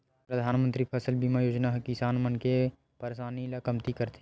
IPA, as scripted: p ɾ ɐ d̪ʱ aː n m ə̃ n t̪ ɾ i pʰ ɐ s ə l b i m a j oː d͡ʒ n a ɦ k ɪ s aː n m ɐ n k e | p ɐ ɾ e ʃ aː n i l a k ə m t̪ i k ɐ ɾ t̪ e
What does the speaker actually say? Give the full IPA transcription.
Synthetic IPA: p ɾ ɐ d̪ʱ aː n m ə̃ n t̪ ɾ i pʰ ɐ s ə l b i m a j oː d͡ʒ n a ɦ k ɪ s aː n m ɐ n k e | p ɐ ɾ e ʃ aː n i l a k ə m t̪ i k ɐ ɾ t̪ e